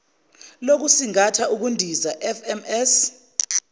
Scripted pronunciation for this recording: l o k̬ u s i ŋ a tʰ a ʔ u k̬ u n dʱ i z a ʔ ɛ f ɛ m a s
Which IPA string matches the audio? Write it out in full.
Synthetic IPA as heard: l o k̬ u s i ŋ a tʰ a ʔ u k̬ u n dʱ i z a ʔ ɛ f ɛ m ɛ s